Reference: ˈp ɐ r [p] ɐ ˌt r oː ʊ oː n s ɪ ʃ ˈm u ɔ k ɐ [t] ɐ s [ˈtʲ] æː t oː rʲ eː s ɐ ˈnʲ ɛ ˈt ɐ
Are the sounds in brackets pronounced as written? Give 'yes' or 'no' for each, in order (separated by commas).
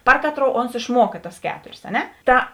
no, yes, no